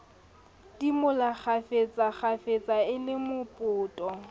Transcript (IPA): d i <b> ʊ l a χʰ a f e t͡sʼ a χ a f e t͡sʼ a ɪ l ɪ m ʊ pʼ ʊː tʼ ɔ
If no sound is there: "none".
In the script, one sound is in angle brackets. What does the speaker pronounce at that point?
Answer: m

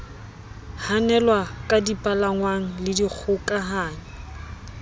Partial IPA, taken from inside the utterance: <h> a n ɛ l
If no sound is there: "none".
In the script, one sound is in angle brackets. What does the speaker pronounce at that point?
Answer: h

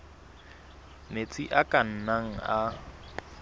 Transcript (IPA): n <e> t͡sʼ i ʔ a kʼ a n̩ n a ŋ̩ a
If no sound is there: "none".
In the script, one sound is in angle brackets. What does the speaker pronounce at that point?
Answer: e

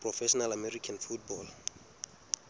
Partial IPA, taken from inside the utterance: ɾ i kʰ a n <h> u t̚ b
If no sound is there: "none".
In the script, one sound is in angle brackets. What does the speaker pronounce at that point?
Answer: f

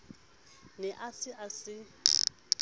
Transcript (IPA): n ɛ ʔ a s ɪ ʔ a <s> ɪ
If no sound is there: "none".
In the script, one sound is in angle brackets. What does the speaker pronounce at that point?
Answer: s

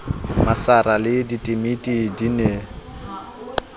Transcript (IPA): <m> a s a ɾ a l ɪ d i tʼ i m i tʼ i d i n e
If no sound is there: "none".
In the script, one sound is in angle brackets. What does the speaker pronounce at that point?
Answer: m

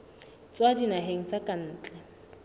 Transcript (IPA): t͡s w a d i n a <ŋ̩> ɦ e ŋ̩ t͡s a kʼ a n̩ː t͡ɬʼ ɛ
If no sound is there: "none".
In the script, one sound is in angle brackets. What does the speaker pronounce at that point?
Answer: none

